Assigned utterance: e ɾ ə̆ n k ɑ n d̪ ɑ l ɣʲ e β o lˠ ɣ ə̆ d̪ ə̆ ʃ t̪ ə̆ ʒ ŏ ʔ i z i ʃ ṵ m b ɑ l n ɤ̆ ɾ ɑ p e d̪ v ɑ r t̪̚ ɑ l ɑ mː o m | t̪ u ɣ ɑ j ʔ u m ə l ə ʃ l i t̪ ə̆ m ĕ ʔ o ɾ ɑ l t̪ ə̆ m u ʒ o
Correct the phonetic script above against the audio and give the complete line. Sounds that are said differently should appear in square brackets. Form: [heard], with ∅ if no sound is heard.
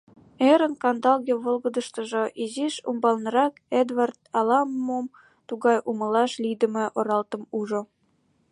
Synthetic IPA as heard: e ɾ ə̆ n k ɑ n d̪ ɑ l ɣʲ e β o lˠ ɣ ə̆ d̪ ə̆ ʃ t̪ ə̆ ʒ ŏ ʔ i z i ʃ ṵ m b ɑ l n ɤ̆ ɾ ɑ [k] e d̪ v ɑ r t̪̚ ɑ l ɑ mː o m | t̪ u ɣ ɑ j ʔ u m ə l [ɑ] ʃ l i [d̪] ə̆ m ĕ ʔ o ɾ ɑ l t̪ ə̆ m u ʒ o

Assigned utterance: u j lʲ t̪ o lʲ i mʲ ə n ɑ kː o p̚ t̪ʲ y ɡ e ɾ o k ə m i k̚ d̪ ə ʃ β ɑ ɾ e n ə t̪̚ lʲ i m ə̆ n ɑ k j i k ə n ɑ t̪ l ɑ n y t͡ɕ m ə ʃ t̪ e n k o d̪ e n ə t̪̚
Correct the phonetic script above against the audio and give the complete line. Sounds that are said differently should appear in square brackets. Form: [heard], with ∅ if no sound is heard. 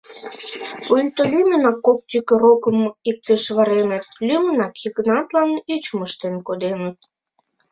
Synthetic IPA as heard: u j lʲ t̪ o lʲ [y] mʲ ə n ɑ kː o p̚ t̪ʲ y [k] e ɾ o k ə m i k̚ [t̪] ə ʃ β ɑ ɾ e n ə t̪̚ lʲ [y] m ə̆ n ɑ k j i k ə n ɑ t̪ l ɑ n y t͡ɕ m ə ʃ t̪ e n k o d̪ e n ə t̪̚

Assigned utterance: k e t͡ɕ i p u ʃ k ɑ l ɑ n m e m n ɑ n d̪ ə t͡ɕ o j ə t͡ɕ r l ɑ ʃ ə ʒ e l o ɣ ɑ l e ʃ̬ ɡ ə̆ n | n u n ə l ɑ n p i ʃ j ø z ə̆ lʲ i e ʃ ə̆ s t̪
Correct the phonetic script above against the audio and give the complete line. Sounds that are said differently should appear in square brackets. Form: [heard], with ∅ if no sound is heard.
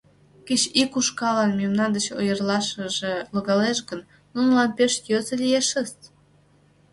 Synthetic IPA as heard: k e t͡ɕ i [k] u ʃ k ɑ l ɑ n m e m n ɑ n d̪ ə t͡ɕ o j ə [∅] r l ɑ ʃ ə ʒ e l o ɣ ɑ l e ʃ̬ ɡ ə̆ n | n u n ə l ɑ n p [e] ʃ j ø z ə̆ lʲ i e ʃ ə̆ s t̪

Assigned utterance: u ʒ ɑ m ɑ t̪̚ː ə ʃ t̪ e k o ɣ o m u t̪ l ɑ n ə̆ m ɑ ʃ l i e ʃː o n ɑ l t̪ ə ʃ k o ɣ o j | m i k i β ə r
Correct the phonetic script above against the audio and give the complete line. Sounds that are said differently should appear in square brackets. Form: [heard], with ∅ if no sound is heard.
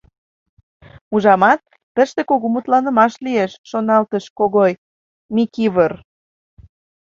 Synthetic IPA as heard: u ʒ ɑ m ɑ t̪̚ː ə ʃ t̪ e k o ɣ o m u t̪ l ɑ n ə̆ m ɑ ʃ l i e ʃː o n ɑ l t̪ ə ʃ k o ɣ o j | m i k i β ə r

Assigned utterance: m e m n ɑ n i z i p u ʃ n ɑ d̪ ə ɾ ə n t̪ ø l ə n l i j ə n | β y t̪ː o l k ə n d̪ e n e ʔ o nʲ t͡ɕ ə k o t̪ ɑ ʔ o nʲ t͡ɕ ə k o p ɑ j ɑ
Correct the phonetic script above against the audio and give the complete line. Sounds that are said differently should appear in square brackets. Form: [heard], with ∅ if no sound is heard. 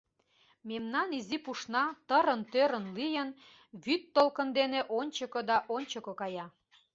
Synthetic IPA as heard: m e m n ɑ n i z i p u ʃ n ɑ [t̪] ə ɾ ə n t̪ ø [ɾ] ə n l i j ə n | β y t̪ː o l k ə n d̪ e n e ʔ o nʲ t͡ɕ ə k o [d̪] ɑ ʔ o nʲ t͡ɕ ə k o [k] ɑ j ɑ

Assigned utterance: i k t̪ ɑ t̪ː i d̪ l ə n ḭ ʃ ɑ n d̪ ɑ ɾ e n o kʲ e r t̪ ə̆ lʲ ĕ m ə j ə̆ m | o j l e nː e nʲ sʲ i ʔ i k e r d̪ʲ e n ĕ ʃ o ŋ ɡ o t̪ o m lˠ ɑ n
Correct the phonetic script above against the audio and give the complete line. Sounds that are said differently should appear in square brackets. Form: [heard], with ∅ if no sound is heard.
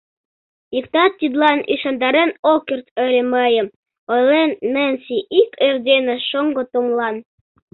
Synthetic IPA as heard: i k t̪ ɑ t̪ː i d̪ l [ɑ] n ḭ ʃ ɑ n d̪ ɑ ɾ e n o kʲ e r t̪ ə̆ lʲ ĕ m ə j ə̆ m | o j l e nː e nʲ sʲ i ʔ i k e r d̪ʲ e n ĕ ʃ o ŋ ɡ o t̪ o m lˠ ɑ n

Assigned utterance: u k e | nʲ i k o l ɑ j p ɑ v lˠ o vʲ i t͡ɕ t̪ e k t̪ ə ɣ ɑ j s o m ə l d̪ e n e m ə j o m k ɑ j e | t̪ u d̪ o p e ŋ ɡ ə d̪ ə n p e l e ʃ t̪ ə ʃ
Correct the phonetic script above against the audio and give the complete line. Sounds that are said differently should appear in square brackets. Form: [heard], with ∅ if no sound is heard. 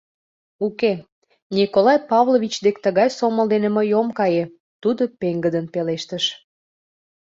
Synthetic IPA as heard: u k e | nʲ i k o l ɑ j p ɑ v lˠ o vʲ i t͡ɕ [d̪] e k t̪ ə ɣ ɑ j s o m ə l d̪ e n e m ə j o m k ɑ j e | t̪ u d̪ o p e ŋ ɡ ə d̪ ə n p e l e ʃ t̪ ə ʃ

